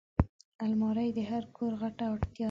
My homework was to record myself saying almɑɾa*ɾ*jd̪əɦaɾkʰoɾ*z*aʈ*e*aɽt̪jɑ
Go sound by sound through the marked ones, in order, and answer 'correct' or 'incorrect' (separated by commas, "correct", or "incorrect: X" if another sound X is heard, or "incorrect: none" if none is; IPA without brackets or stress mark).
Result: incorrect: none, incorrect: ɣ, incorrect: a